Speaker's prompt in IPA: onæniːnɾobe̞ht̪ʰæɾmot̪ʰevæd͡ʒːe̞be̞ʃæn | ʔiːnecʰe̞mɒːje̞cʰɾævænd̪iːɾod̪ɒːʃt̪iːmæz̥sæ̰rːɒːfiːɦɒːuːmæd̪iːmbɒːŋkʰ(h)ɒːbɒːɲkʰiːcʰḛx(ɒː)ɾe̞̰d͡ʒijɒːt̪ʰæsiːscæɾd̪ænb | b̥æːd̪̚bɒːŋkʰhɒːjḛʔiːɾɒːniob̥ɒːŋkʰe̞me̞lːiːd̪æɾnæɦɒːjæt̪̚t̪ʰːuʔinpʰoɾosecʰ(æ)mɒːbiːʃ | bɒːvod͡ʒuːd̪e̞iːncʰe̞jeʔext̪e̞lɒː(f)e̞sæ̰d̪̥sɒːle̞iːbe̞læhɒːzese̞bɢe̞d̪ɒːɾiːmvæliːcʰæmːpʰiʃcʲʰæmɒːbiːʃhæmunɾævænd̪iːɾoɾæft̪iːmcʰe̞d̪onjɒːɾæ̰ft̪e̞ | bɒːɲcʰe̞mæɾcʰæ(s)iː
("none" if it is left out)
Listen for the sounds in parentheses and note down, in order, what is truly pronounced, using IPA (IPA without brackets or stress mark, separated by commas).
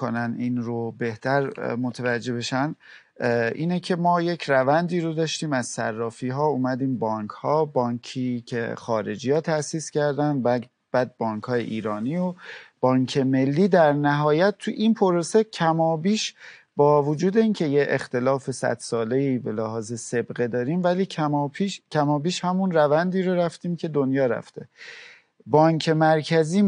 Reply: h, ɒː, æ, f, z